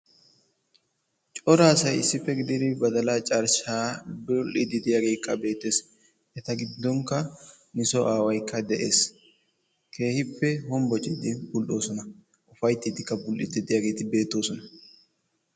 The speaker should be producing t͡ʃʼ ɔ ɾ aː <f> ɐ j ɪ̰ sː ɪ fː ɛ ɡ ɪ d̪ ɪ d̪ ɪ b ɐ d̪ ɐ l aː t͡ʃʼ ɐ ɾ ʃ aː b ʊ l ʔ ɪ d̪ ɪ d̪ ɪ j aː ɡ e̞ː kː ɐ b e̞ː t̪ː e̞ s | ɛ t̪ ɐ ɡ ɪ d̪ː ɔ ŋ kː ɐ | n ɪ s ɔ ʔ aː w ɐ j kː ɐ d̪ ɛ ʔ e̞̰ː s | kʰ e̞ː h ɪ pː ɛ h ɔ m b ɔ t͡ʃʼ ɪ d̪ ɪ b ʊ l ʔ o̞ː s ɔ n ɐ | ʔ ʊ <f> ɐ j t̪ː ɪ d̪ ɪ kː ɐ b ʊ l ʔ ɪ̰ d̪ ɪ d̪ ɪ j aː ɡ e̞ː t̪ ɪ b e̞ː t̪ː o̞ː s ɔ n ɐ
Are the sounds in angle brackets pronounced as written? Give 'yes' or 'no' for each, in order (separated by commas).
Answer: no, yes